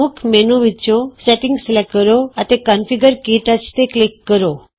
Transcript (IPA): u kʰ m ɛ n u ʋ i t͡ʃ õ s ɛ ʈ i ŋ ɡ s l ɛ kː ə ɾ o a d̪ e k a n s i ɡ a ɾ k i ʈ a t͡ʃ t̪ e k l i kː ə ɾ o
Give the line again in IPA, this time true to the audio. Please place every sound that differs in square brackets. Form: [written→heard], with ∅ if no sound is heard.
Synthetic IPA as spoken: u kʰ m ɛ n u ʋ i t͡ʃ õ s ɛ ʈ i ŋ ɡ s l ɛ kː ə ɾ o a [d̪→t̪] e k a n [s→f] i ɡ [a→ə] ɾ k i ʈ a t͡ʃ t̪ e k l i kː ə ɾ o